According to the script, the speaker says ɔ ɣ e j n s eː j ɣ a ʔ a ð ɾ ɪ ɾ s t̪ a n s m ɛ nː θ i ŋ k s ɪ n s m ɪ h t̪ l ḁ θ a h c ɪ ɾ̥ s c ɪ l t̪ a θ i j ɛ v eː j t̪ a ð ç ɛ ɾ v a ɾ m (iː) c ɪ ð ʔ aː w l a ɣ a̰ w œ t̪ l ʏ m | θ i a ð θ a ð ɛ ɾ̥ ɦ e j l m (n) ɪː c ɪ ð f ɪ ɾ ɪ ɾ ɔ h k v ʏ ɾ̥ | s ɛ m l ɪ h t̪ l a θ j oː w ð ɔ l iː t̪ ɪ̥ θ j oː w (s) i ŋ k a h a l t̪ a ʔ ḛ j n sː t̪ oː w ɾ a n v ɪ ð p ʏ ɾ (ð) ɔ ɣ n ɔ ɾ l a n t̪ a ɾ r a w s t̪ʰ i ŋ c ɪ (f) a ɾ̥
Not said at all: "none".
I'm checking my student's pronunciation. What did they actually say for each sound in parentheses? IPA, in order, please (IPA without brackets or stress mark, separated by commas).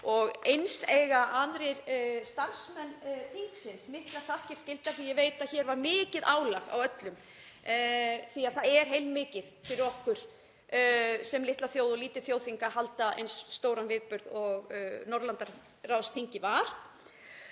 ɪː, m, θ, ð, v